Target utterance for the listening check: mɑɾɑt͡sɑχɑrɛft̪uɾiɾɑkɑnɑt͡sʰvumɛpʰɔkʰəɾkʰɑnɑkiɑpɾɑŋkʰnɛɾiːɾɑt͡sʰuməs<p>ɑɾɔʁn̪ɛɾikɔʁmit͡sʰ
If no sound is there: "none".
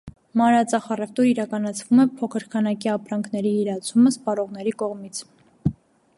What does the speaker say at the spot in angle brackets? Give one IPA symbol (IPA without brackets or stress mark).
p